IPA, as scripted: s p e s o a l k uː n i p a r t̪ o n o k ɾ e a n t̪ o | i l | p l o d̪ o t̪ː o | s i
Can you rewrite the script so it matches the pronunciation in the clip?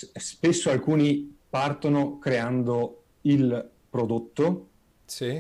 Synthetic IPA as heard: s p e sː o a l k uː n i p a r t̪ o n o k ɾ e a n d̪ o | i l | p ɾ o d̪ o t̪ː o | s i